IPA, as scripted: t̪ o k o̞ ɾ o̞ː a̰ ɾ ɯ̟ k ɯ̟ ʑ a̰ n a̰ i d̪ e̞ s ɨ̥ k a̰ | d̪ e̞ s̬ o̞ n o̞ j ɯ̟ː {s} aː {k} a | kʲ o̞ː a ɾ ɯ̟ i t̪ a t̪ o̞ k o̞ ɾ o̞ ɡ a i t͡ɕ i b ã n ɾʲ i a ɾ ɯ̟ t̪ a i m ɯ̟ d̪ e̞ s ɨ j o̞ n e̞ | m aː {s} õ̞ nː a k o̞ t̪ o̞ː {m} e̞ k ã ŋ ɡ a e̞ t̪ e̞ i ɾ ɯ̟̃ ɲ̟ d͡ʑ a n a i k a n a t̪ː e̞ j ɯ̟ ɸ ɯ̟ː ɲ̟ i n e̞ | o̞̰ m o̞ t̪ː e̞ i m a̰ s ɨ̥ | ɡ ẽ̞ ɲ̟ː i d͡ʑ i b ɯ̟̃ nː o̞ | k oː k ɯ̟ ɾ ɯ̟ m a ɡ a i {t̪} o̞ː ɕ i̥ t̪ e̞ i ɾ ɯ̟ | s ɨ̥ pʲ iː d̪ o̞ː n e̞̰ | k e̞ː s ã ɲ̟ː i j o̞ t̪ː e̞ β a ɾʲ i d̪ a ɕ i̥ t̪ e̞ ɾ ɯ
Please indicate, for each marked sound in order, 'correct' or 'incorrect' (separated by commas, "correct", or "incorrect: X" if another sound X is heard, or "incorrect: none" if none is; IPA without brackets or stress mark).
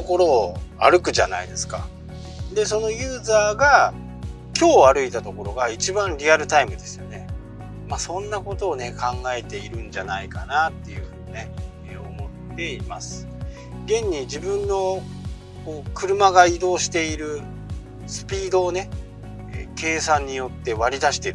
incorrect: z, incorrect: ɡ, correct, incorrect: n, incorrect: d̪